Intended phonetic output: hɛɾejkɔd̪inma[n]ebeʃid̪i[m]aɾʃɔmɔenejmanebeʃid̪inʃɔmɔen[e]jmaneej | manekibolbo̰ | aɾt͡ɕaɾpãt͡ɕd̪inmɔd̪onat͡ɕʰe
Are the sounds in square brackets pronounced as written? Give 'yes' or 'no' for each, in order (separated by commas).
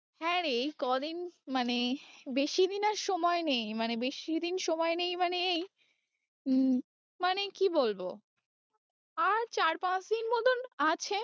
yes, no, yes